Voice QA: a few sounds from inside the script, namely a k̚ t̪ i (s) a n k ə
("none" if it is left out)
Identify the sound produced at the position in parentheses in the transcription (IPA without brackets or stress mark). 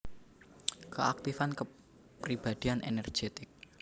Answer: f